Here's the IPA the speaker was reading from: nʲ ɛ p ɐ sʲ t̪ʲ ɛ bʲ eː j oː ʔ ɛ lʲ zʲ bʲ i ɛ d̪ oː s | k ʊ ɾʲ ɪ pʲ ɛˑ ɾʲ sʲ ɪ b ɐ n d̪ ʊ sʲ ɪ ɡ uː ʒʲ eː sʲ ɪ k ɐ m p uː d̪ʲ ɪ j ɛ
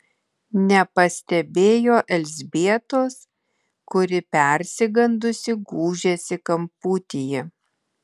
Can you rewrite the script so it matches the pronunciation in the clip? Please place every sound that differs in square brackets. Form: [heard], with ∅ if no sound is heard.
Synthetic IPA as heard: nʲ ɛ p ɐ sʲ t̪ʲ ɛ bʲ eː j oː ʔ ɛ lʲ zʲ bʲ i ɛ [t̪] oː s | k ʊ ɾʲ ɪ pʲ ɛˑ ɾʲ sʲ ɪ [ɡ] ɐ n d̪ ʊ sʲ ɪ ɡ uː ʒʲ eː sʲ ɪ k ɐ m p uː [t̪ʲ] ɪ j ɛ